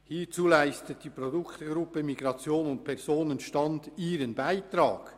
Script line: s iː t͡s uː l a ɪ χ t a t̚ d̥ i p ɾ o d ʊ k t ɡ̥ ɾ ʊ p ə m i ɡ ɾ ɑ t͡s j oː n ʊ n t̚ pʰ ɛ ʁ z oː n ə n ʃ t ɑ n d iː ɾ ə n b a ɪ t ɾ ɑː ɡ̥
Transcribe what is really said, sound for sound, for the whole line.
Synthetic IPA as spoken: h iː t͡s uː l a ɪ s t ə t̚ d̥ i p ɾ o d ʊ k t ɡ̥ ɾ ʊ p ə m i ɡ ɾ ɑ t͡s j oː n ʊ n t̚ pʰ ɛ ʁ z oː n ə n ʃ t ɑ n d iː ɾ ə n b a ɪ t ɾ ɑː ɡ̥